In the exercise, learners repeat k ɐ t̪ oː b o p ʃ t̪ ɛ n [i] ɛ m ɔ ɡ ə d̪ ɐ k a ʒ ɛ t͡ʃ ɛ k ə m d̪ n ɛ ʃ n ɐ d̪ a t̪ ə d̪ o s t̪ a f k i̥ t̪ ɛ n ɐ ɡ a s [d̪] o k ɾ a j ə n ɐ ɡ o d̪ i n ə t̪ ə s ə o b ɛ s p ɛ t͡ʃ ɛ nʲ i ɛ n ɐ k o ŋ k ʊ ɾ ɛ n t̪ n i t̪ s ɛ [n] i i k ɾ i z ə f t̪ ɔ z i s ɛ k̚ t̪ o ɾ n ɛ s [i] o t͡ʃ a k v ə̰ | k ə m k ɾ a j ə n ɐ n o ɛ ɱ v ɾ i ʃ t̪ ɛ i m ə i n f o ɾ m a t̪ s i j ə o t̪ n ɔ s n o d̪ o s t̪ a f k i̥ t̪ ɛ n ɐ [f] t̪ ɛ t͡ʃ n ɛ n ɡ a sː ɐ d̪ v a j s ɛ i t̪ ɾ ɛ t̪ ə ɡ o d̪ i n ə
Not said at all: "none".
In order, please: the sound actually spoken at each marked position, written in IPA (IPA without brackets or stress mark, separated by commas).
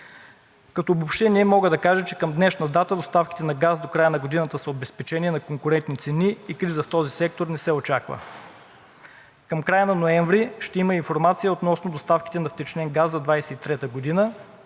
i, d̪, n, ɛ, f